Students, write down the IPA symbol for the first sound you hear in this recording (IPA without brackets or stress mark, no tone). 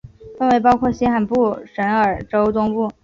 f